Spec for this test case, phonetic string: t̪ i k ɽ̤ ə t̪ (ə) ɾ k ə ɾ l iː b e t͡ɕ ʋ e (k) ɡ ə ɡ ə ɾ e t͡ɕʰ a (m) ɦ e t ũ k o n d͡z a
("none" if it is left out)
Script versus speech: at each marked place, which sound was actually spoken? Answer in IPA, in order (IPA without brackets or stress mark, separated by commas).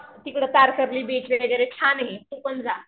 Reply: a, none, n